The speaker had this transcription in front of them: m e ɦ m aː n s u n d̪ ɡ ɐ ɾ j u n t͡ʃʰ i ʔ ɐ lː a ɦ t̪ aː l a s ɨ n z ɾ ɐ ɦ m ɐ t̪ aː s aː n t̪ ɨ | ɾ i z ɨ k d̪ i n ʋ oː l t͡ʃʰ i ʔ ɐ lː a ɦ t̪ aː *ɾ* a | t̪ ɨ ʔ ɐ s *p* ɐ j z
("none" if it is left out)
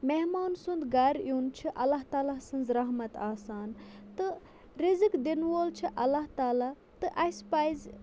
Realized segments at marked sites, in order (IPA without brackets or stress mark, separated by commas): l, p